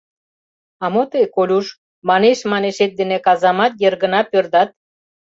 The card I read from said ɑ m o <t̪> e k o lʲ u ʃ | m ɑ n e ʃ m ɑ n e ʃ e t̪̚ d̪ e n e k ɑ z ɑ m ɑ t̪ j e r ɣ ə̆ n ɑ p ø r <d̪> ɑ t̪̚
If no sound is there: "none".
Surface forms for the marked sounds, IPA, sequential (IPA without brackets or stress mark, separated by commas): t̪, d̪